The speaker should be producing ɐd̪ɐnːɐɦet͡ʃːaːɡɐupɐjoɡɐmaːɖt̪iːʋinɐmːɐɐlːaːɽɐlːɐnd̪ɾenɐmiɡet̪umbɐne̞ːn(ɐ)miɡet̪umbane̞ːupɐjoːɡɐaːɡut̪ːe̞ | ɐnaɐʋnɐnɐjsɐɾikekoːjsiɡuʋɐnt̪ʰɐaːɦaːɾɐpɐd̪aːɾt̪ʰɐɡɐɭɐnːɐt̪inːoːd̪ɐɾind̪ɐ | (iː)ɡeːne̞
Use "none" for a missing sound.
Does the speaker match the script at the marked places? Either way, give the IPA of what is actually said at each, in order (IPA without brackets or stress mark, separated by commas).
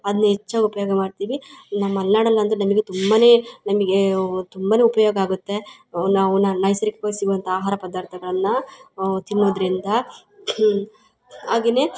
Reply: ɐ, aː